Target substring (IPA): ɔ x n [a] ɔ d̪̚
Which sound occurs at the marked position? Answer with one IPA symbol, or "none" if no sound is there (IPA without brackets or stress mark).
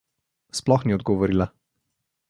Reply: i